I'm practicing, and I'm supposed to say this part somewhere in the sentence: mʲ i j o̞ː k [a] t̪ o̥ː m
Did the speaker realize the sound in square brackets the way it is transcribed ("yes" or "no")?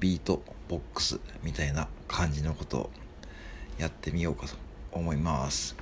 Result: yes